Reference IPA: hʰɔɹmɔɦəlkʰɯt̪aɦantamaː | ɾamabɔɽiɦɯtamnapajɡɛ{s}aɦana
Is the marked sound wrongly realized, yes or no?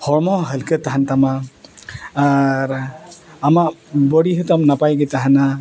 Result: yes